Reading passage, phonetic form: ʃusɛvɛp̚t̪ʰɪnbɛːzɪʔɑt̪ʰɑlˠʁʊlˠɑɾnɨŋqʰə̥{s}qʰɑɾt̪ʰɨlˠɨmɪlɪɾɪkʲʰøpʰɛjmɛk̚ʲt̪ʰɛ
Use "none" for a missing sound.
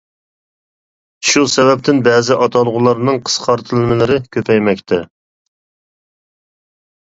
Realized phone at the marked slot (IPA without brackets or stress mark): s